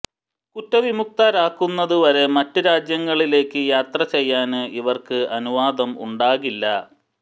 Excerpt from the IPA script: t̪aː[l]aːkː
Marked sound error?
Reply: yes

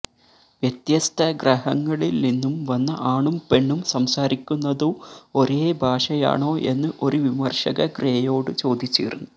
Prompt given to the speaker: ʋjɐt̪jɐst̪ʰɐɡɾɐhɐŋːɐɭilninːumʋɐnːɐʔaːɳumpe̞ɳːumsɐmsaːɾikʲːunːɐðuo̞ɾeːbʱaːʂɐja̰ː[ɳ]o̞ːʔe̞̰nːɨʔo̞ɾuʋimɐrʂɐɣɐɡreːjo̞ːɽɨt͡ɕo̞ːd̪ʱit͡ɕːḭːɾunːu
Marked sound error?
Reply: no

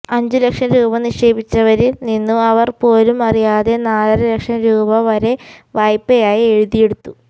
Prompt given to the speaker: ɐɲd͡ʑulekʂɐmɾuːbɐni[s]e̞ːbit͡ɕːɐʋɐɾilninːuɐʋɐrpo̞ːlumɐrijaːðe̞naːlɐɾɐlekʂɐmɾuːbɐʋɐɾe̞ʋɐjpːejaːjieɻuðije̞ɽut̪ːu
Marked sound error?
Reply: yes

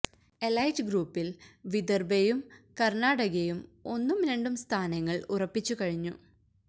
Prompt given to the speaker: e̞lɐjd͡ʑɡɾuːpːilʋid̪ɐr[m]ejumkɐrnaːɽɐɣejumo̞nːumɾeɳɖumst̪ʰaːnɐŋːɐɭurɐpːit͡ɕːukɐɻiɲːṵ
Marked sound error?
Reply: yes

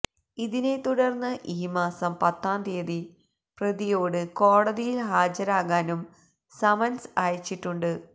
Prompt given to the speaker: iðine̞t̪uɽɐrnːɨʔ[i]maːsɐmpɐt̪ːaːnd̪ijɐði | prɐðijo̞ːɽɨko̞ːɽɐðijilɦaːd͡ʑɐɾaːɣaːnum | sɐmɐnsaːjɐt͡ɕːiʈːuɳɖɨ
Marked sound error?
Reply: yes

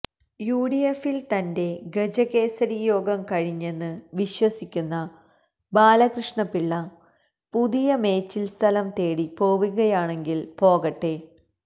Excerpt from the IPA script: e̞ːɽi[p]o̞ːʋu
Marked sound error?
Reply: no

